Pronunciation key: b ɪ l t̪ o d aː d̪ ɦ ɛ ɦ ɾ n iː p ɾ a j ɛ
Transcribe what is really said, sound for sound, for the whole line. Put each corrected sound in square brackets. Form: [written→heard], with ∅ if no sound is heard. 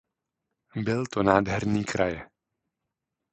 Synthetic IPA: b ɪ l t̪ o [d→n] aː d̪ ɦ ɛ [ɦ→∅] ɾ n iː [p→k] ɾ a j ɛ